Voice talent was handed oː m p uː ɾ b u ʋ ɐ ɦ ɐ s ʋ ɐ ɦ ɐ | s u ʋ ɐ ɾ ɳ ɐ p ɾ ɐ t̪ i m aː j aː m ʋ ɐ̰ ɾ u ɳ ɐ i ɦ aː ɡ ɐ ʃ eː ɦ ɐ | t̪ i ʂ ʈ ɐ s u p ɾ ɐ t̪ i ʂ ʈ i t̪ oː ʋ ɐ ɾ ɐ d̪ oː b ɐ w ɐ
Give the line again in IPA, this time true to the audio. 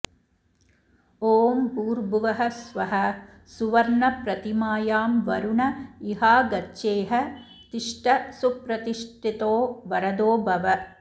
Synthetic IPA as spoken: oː m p uː ɾ b u ʋ ɐ ɦ ɐ s ʋ ɐ ɦ ɐ | s u ʋ ɐ ɾ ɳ ɐ p ɾ ɐ t̪ i m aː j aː m ʋ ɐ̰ ɾ u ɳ ɐ i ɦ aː ɡ ɐ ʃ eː ɦ ɐ | t̪ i ʂ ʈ ɐ s u p ɾ ɐ t̪ i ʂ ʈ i t̪ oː ʋ ɐ ɾ ɐ d̪ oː b ɐ ʋ ɐ

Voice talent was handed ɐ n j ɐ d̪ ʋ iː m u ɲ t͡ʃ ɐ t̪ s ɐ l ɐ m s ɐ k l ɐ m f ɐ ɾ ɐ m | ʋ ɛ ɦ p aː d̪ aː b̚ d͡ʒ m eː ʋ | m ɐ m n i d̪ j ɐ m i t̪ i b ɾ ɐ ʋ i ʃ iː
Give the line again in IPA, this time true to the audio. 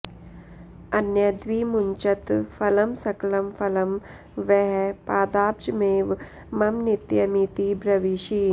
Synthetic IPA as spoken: ɐ n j ɐ d̪ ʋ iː m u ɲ t͡ʃ ɐ t̪ f ɐ l ɐ m s ɐ k l ɐ m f ɐ l ɐ m | ʋ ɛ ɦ p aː d̪ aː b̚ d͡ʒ m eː ʋ | m ɐ m n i t̪ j ɐ m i t̪ i b ɾ ɐ ʋ i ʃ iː

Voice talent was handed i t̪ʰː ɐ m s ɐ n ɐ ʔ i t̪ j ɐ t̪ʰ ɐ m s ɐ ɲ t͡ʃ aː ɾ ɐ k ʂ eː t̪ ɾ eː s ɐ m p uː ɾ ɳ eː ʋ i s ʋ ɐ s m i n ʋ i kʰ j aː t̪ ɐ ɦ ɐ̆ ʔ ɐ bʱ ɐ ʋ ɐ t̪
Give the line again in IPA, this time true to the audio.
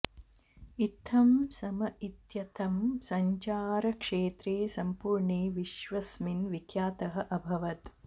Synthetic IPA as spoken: i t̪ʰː ɐ m s ɐ m ɐ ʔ i t̪ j ɐ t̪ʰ ɐ m s ɐ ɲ t͡ʃ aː ɾ ɐ k ʂ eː t̪ ɾ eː s ɐ m p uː ɾ ɳ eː ʋ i ʃ ʋ ɐ s m i n ʋ i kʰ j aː t̪ ɐ ɦ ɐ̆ ʔ ɐ bʱ ɐ ʋ ɐ t̪

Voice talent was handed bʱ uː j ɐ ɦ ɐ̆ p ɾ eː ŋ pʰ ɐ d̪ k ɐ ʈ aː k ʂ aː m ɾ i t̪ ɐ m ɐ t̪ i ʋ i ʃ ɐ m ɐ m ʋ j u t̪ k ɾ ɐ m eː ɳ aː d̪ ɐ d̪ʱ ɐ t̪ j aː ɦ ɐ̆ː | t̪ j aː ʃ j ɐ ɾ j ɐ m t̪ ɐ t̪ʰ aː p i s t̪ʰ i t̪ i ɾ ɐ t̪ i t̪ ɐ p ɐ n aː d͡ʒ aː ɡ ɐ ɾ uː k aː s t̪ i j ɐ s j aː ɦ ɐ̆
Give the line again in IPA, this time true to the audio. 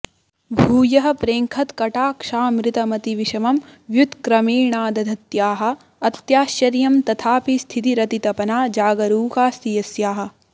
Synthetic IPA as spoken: bʱ uː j ɐ ɦ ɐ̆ p ɾ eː ŋ kʰ ɐ t̪ k ɐ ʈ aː k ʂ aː m ɾ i t̪ ɐ m ɐ t̪ i ʋ i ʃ ɐ m ɐ m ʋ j u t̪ k ɾ ɐ m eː ɳ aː d̪ ɐ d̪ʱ ɐ t̪ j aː ɦ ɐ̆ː | t̪ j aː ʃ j ɐ ɾ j ɐ m t̪ ɐ t̪ʰ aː p i s t̪ʰ i t̪ i ɾ ɐ t̪ i t̪ ɐ p ɐ n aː d͡ʒ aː ɡ ɐ ɾ uː k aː s t̪ i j ɐ s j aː ɦ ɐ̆

